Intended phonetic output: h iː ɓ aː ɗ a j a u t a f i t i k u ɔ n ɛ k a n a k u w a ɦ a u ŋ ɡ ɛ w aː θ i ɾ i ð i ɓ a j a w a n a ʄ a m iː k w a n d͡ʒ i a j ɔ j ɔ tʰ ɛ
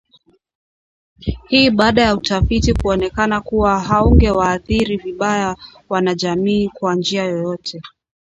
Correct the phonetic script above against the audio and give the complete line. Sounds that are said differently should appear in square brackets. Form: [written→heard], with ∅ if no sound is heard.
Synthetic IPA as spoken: h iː ɓ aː ɗ a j a u t a f i t i k u ɔ n ɛ k a n a k u w a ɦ a u ŋ ɡ ɛ w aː θ i ɾ i [ð→v] i ɓ a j a w a n a ʄ a m iː k w a n d͡ʒ i a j ɔ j ɔ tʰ ɛ